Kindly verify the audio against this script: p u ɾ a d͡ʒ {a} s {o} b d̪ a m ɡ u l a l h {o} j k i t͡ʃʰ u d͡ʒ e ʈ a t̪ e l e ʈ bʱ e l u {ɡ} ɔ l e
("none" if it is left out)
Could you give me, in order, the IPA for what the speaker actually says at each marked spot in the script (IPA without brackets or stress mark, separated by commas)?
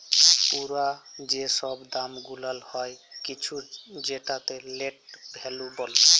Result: e, ɔ, ɔ, b